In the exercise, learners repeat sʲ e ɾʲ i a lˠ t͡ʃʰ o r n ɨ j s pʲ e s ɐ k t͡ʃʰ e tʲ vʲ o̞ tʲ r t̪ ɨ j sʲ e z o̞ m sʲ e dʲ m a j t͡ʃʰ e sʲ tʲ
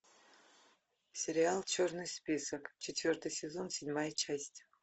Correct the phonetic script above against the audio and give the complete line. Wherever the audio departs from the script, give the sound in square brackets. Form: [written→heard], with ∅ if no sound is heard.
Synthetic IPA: sʲ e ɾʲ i a lˠ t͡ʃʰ o r n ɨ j s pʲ [e→i] s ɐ k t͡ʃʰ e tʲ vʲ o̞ [tʲ→∅] r t̪ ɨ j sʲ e z o̞ [m→n] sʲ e dʲ m a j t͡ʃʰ [e→a] sʲ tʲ